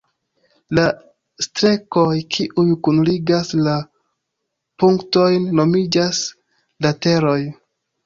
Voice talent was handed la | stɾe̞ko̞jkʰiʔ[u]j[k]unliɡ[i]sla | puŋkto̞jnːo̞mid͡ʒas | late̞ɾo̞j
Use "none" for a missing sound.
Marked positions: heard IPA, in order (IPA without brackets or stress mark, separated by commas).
u, k, a